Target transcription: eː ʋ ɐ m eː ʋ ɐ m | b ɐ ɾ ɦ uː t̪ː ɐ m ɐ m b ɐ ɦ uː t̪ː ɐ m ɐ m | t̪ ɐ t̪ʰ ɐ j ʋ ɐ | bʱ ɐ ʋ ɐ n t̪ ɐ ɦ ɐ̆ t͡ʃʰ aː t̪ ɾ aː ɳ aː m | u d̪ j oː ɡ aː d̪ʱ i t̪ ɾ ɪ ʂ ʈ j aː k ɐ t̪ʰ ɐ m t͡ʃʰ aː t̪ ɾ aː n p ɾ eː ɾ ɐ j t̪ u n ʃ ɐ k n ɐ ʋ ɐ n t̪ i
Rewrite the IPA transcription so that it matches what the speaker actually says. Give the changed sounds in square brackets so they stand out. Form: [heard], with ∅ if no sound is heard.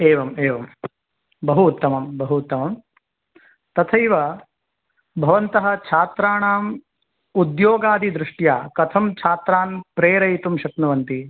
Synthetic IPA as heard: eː ʋ ɐ m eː ʋ ɐ m | b ɐ [∅] ɦ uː t̪ː ɐ m ɐ m b ɐ ɦ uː t̪ː ɐ m ɐ m | t̪ ɐ t̪ʰ ɐ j ʋ ɐ | bʱ ɐ ʋ ɐ n t̪ ɐ ɦ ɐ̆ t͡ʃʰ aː t̪ ɾ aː ɳ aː m | u d̪ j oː ɡ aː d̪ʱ i [d̪] ɾ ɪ ʂ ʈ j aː k ɐ t̪ʰ ɐ m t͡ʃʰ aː t̪ ɾ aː n p ɾ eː ɾ ɐ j t̪ u [m] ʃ ɐ k n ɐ ʋ ɐ n t̪ i